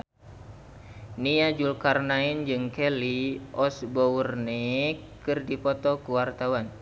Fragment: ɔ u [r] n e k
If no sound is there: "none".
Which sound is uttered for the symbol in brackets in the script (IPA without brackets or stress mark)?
r